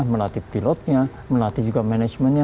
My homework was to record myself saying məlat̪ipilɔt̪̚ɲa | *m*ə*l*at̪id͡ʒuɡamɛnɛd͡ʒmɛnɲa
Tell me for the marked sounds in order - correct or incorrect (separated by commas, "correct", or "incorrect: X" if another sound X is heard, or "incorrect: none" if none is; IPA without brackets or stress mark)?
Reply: correct, correct